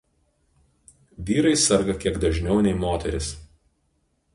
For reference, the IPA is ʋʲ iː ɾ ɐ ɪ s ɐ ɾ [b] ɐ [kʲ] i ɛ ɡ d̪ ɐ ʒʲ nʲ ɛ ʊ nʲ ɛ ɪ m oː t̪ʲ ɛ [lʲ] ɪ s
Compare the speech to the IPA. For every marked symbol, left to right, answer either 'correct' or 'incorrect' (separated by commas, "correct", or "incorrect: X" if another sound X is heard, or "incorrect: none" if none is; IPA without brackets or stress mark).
incorrect: ɡ, correct, incorrect: ɾʲ